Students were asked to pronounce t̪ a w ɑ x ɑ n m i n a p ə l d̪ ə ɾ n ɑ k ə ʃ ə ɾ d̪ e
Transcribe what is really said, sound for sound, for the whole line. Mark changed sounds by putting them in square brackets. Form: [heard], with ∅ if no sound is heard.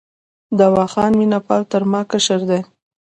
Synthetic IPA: [d̪] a w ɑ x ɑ n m i n a p [ɑ] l [t̪] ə ɾ [m] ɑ k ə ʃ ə ɾ d̪ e